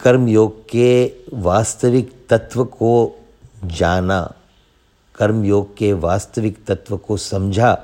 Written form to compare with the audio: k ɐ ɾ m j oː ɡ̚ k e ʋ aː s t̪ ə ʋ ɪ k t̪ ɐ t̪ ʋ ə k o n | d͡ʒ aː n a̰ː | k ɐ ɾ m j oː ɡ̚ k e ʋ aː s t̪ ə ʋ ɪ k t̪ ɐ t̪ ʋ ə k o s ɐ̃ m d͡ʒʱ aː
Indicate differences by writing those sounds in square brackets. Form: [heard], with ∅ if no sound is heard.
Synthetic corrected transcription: k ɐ ɾ m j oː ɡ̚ k e ʋ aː s t̪ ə ʋ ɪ k t̪ ɐ t̪ ʋ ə k o [∅] | d͡ʒ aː n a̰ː | k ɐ ɾ m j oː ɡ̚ k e ʋ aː s t̪ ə ʋ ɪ k t̪ ɐ t̪ ʋ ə k o s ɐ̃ m d͡ʒʱ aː